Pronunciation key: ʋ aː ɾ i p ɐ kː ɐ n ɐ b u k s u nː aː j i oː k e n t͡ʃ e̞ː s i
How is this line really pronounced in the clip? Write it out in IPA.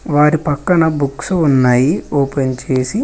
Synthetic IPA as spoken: ʋ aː ɾ i p ɐ kː ɐ n ɐ b u k s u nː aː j i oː p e n t͡ʃ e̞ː s i

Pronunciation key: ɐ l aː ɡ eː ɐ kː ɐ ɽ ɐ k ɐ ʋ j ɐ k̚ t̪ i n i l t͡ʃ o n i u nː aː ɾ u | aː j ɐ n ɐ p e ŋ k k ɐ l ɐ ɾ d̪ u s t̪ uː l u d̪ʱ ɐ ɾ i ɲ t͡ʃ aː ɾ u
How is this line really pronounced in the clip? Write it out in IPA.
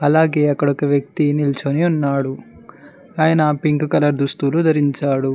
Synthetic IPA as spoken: ɐ l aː ɡ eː ɐ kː ɐ ɽ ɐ k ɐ ʋ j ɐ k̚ t̪ i n i l t͡ʃ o n i u nː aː ɽ u | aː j ɐ n ɐ p i ŋ k k ɐ l ɐ ɾ d̪ u s t̪ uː l u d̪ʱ ɐ ɾ i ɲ t͡ʃ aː ɽ u

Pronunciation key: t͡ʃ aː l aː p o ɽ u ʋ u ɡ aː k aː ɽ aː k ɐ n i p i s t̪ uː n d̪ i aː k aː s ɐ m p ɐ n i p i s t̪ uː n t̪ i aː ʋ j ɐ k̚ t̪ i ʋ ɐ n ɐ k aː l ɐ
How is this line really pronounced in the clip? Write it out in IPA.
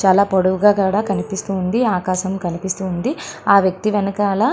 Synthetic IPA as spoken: t͡ʃ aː l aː p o ɽ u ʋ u ɡ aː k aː ɽ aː k ɐ n i p i s t̪ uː n d̪ i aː k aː ʃ ɐ m k ɐ n i p i s t̪ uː n d̪ i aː ʋ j ɐ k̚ t̪ i ʋ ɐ n ɐ k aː l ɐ

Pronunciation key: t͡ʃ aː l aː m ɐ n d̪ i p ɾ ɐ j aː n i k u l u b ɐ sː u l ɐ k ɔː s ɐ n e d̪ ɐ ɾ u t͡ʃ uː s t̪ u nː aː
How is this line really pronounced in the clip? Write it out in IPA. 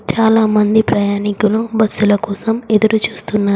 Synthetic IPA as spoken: t͡ʃ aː l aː m ɐ n d̪ i p ɾ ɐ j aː n i k u l u b ɐ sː u l ɐ k ɔː s ɐ m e d̪ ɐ ɾ u t͡ʃ uː s t̪ u nː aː

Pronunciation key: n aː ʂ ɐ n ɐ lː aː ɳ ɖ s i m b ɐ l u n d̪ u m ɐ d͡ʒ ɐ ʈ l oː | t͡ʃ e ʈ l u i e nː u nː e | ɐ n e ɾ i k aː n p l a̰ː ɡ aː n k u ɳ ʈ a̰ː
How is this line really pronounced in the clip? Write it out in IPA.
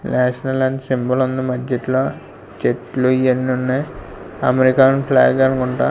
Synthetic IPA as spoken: n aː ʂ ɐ n ɐ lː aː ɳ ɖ s i m b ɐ l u n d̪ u m ɐ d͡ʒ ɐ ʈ l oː | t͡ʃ e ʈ l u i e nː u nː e | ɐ m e ɾ i k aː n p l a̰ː ɡ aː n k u ɳ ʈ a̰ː

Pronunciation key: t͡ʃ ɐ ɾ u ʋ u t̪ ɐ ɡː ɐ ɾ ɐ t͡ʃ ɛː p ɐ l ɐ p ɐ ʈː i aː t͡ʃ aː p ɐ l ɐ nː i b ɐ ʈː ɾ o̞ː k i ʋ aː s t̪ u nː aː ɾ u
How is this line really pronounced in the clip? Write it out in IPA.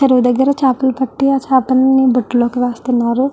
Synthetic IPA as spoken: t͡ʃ ɐ ɾ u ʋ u d̪ ɐ ɡː ɐ ɾ ɐ t͡ʃ aː p ɐ l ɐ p ɐ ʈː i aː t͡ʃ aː p ɐ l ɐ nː i b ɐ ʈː l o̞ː k i ʋ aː s t̪ u nː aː ɾ u

